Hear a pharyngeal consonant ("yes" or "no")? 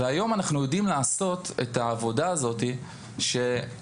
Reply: no